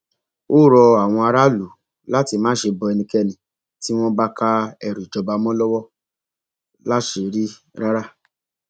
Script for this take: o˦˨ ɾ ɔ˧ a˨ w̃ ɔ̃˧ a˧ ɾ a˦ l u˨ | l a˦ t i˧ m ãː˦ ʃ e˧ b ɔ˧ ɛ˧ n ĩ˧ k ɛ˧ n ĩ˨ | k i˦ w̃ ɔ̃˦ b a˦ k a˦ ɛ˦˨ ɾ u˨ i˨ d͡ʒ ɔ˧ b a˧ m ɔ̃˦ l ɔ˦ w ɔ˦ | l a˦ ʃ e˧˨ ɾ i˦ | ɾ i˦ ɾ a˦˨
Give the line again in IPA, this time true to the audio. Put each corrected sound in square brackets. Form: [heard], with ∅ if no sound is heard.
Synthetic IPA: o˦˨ ɾ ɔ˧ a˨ w̃ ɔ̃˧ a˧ ɾ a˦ l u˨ | l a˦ t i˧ m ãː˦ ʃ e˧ b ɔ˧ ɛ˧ n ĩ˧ k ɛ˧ n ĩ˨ | [t] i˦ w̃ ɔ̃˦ b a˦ k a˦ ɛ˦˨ ɾ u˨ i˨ d͡ʒ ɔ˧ b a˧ m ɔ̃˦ l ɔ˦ w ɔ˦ | l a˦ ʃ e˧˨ ɾ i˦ | ɾ [a˦] ɾ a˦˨